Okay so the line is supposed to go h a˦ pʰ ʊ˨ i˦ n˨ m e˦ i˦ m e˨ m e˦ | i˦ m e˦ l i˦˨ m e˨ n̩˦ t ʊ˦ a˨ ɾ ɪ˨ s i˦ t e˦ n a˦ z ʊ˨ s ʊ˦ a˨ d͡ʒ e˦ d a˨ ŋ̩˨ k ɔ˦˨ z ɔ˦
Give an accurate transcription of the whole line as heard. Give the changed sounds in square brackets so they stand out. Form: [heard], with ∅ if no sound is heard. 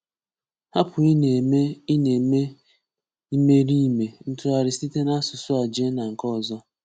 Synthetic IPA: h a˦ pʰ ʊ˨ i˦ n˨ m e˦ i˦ [n] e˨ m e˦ | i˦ m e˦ [ɾ] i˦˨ m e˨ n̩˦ t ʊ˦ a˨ ɾ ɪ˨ s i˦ t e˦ n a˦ [s] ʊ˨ s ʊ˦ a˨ d͡ʒ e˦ [n] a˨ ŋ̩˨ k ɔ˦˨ z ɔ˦